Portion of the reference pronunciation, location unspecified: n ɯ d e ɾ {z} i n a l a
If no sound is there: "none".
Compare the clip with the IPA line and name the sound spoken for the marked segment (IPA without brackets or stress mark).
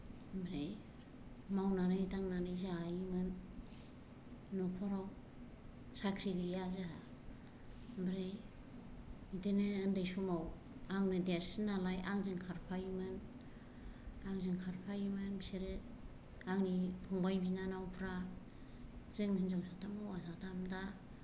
s